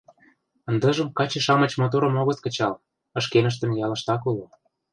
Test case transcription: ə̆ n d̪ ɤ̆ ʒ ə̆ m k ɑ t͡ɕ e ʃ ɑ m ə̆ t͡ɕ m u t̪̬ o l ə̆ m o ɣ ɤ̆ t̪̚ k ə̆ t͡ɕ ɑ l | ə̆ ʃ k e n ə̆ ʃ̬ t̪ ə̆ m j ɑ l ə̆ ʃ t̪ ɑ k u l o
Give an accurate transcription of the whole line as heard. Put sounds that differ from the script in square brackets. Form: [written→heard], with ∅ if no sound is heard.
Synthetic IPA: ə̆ n d̪ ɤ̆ ʒ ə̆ m k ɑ t͡ɕ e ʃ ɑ m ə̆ t͡ɕ m [u→o] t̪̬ o [l→ɾ] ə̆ m o ɣ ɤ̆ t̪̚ k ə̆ t͡ɕ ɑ l | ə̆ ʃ k e n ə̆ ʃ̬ t̪ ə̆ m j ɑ l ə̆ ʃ t̪ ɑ k u l o